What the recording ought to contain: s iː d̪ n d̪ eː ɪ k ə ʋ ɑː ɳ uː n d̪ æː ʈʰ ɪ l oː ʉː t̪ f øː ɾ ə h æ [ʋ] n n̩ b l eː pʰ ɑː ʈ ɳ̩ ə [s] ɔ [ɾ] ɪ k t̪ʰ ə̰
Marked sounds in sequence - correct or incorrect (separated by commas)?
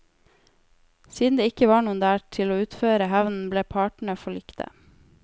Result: correct, incorrect, incorrect